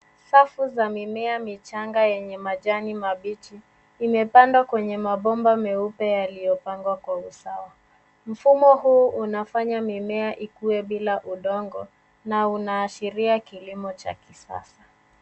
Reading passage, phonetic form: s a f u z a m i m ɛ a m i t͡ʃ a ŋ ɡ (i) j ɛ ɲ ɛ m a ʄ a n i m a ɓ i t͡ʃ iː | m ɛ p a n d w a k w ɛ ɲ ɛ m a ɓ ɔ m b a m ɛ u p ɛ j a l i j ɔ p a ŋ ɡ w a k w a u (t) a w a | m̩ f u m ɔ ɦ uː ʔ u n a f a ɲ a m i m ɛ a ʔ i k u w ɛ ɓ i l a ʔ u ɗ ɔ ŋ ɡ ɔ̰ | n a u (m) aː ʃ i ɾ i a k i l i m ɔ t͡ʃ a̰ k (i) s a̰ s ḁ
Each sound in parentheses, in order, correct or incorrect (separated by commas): incorrect, incorrect, incorrect, correct